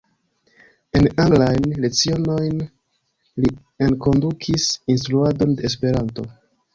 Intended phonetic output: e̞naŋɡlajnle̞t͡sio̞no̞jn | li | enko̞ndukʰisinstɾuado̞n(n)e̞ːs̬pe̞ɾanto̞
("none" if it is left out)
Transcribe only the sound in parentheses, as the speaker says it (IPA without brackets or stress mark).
d